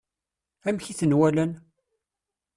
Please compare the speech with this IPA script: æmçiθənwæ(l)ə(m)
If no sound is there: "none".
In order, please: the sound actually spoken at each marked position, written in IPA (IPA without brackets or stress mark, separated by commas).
l, n